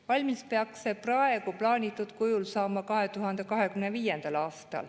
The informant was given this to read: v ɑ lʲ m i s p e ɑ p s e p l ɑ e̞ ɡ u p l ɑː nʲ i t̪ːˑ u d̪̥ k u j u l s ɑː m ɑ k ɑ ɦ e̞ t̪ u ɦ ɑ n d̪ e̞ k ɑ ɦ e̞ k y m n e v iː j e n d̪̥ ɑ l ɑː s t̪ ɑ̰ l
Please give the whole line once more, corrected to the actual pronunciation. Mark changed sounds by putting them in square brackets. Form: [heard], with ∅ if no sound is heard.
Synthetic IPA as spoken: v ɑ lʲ m i s p e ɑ [k] s e p [r] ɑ e̞ ɡ u p l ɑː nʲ i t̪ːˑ u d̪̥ k u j u l s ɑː m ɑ k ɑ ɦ e̞ t̪ u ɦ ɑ n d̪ e̞ k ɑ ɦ e̞ k y m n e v iː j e n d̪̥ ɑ l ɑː s t̪ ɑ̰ l

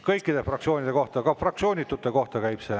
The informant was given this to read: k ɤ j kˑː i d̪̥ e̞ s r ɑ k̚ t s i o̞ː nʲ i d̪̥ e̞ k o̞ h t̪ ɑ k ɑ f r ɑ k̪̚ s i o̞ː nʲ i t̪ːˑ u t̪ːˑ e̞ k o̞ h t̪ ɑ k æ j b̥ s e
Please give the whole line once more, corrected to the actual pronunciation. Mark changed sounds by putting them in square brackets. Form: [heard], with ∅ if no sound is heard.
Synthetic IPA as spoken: k ɤ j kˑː i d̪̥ e̞ [f] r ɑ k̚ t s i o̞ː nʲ i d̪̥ e̞ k o̞ h t̪ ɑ k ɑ f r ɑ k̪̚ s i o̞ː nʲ i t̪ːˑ u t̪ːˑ e̞ k o̞ h t̪ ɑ k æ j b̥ s e

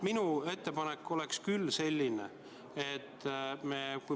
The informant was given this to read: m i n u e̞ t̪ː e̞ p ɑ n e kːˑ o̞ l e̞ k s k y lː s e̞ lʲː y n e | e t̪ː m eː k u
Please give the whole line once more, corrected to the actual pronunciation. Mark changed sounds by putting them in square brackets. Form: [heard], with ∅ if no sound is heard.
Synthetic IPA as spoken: m i n u e̞ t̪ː e̞ p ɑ n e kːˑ o̞ l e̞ k s k y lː s e̞ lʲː [i] n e | e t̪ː m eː k u

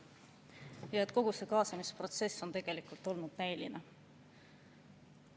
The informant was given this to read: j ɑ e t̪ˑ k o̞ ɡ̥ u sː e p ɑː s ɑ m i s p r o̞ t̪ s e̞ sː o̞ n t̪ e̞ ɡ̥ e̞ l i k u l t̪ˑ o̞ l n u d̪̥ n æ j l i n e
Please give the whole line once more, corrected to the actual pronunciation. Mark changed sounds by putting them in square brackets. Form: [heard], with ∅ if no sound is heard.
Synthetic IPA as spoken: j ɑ e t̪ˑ k o̞ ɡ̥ u [s] e [k] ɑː s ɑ m i s p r o̞ t̪ s e̞ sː o̞ n t̪ e̞ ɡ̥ e̞ l i k u l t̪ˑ o̞ l n u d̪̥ n æ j l i n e

